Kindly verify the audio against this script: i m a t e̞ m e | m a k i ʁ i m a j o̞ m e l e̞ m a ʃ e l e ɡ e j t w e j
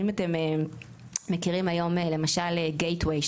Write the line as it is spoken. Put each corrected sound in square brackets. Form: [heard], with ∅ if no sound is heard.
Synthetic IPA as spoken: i m a t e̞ m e | m [e] k i ʁ i m a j o̞ m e l e̞ m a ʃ [a] l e ɡ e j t w e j